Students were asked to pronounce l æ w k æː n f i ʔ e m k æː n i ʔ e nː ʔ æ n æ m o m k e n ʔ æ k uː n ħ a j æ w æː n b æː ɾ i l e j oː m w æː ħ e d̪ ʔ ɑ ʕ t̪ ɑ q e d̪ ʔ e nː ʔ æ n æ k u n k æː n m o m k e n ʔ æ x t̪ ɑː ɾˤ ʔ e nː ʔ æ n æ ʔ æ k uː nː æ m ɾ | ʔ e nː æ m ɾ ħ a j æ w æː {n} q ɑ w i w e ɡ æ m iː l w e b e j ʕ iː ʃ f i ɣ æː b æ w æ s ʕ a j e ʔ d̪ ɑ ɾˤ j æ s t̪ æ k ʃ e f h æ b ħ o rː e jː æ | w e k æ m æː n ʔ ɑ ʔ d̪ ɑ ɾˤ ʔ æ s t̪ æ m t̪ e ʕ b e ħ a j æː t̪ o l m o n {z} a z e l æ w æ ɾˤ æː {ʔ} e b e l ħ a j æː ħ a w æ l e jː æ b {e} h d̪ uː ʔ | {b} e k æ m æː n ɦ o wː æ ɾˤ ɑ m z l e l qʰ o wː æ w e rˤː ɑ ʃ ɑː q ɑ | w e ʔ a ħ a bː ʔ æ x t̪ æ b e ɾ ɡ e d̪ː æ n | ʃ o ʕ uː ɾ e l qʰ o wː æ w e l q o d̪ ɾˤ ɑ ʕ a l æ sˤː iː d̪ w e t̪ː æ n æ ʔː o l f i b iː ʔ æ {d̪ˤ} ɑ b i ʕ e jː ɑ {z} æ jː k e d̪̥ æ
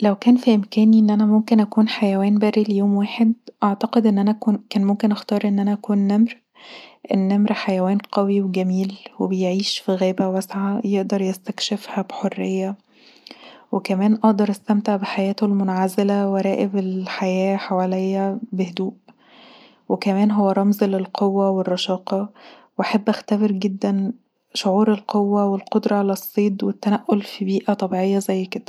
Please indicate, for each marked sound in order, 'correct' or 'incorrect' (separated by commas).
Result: correct, incorrect, correct, correct, incorrect, incorrect, correct